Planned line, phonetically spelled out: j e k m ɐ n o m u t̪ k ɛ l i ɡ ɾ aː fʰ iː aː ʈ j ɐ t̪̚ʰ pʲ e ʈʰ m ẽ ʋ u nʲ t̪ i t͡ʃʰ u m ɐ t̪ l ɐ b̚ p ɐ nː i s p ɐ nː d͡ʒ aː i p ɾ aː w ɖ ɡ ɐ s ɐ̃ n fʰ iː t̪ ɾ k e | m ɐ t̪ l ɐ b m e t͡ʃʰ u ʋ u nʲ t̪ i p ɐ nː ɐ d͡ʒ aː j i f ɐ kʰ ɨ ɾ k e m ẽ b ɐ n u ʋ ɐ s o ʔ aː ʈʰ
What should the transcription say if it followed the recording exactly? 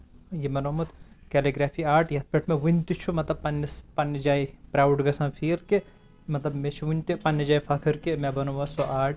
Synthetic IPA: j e m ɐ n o m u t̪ k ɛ l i ɡ ɾ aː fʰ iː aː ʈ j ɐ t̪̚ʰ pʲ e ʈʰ m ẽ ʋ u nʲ t̪ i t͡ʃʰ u m ɐ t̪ l ɐ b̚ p ɐ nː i s p ɐ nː d͡ʒ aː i p ɾ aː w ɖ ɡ ɐ s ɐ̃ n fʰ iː ɾ k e | m ɐ t̪ l ɐ b m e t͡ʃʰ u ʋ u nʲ t̪ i p ɐ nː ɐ d͡ʒ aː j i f ɐ kʰ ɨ ɾ k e m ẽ b ɐ n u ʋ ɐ s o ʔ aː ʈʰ

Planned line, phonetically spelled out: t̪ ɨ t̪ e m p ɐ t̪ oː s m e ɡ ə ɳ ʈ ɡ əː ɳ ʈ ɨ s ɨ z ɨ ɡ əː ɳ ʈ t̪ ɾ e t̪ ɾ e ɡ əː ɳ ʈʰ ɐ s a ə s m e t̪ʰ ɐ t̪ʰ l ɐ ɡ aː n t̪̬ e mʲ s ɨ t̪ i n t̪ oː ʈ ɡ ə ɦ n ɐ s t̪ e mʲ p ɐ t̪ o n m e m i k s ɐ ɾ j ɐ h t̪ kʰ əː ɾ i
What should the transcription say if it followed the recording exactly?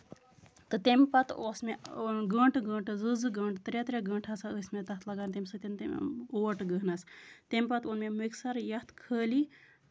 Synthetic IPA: t̪ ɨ t̪ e m p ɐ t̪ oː s m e ɡ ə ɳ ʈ ɡ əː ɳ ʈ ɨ z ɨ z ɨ ɡ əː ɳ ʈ t̪ ɾ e t̪ ɾ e ɡ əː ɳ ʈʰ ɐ s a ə s m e t̪ ɐ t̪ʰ l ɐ ɡ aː n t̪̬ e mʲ s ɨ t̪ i n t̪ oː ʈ ɡ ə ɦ n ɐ s t̪ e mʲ p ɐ t̪ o n m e m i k s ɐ ɾ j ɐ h t̪ kʰ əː l i

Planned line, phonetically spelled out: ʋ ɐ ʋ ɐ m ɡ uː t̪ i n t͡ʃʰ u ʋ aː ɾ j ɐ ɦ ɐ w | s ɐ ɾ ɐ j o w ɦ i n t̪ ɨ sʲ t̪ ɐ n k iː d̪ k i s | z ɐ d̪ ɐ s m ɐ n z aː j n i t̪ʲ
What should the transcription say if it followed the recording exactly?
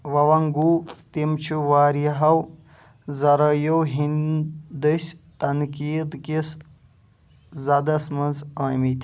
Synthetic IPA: ʋ ɐ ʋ ɐ ŋ ɡ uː t̪ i m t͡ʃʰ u ʋ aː ɾ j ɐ ɦ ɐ w | z ɐ ɾ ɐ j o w ɦ i n d̪ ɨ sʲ t̪ ɐ n k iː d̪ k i s | z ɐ d̪ ɐ s m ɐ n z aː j m i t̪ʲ

